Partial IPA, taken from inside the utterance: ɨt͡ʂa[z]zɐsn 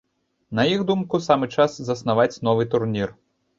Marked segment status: incorrect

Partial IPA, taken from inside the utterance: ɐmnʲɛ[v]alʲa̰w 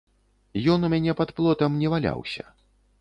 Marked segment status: correct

